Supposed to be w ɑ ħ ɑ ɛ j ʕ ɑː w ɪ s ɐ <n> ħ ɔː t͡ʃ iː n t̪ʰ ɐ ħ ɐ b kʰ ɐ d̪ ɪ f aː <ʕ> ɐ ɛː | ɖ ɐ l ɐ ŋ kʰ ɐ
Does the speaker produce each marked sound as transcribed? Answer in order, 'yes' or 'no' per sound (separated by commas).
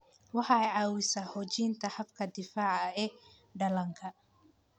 no, yes